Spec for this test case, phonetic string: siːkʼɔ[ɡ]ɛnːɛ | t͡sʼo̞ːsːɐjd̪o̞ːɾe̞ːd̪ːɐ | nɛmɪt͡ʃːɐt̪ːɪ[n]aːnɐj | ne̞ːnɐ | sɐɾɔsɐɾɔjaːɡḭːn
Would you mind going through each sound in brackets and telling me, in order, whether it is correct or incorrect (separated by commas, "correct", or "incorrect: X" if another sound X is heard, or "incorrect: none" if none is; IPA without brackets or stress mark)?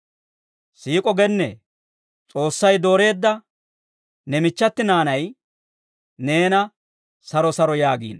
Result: correct, correct